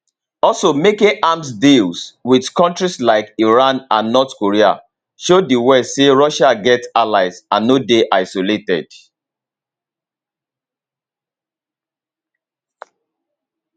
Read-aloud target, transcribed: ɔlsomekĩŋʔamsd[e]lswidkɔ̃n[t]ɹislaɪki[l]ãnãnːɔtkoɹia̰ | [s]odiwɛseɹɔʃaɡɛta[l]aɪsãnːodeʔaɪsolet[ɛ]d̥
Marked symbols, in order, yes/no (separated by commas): no, yes, no, no, yes, yes